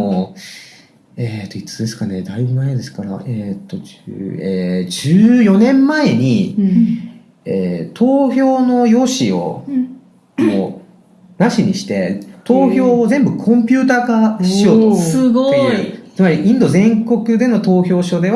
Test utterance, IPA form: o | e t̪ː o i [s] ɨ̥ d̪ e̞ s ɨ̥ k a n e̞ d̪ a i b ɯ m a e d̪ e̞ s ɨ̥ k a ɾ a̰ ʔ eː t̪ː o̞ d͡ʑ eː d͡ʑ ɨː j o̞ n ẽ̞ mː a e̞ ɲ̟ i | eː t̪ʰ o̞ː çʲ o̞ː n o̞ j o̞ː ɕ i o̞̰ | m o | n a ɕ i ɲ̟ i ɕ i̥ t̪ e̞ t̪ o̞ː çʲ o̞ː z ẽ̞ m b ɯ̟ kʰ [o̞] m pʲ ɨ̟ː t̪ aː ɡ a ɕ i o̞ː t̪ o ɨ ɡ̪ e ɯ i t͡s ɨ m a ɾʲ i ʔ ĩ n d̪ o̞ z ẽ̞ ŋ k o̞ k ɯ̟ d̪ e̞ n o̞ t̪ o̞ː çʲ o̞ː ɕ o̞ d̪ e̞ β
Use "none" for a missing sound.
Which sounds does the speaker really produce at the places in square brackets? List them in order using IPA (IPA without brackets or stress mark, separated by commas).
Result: t͡s, õ̞